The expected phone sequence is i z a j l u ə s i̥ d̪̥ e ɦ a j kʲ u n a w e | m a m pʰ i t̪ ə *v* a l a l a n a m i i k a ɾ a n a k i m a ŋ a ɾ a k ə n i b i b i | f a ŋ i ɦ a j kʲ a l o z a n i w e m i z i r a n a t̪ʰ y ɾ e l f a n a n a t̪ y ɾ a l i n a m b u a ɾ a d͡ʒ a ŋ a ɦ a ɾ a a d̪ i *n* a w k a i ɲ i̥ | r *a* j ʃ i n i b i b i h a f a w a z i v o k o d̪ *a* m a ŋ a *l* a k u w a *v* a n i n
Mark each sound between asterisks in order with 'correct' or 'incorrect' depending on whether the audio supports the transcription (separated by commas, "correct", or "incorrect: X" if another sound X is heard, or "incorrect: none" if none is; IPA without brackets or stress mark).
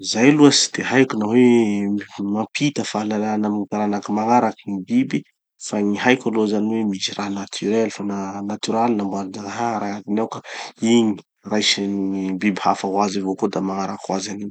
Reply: incorrect: f, correct, correct, correct, incorrect: ɾ, incorrect: z